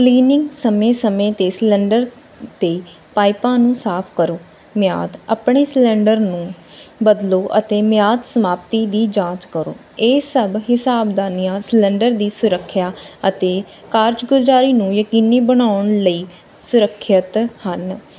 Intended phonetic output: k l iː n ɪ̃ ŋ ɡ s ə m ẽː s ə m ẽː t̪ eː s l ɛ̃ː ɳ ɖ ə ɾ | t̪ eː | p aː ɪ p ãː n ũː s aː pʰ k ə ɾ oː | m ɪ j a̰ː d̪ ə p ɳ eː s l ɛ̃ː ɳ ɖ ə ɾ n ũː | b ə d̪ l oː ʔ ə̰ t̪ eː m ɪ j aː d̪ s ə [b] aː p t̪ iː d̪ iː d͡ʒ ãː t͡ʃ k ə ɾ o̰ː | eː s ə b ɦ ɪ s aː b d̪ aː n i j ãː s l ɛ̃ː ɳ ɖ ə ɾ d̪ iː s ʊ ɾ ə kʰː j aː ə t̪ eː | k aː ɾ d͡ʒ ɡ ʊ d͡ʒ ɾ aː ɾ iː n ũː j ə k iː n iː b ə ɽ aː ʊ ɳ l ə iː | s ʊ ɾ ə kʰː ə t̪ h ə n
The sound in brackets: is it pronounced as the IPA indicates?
no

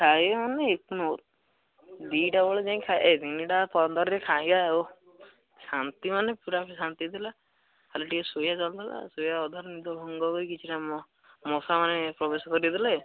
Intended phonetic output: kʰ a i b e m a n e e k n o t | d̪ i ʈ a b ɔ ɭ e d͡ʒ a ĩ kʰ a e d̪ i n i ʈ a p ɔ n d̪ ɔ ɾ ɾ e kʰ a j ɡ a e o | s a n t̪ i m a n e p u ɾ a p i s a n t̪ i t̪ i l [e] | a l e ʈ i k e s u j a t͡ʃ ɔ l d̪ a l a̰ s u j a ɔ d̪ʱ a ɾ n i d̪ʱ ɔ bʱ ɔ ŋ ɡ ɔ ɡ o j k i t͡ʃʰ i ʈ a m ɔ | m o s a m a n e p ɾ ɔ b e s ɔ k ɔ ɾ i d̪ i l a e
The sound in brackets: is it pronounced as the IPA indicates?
no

